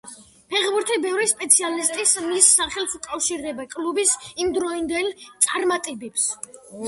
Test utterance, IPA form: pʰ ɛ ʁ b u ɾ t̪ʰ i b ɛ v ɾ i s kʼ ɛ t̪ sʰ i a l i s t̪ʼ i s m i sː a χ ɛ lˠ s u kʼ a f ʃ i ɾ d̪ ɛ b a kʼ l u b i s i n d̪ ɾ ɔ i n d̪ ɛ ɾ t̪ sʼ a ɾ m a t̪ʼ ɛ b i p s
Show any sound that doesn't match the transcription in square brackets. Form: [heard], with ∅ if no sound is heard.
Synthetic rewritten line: pʰ ɛ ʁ b u ɾ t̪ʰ i b ɛ v ɾ i s [pʼ] ɛ t̪ sʰ i a l i s t̪ʼ i s m i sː a χ ɛ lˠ s u kʼ a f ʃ i ɾ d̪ ɛ b a kʼ l u b i s i [m] d̪ ɾ ɔ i n d̪ ɛ [l] t̪ sʼ a ɾ m a t̪ʼ ɛ b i p s